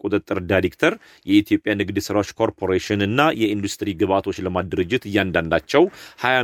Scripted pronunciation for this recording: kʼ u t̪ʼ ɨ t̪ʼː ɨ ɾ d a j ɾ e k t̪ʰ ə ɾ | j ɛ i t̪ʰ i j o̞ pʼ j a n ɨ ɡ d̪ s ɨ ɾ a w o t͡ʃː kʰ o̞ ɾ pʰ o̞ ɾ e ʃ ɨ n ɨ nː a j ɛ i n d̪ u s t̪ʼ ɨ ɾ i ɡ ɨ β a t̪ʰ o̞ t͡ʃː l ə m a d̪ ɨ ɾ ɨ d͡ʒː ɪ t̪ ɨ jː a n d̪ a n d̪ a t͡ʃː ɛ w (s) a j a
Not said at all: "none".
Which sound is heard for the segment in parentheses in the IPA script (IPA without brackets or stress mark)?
h